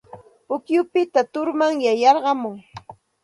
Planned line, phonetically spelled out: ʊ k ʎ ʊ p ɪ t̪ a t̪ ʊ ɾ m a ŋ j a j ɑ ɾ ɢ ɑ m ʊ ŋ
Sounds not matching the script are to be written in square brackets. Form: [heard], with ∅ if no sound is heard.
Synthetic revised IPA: ʊ k [j] ʊ p ɪ t̪ a t̪ ʊ ɾ m a ŋ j a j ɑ ɾ ɢ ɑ m ʊ ŋ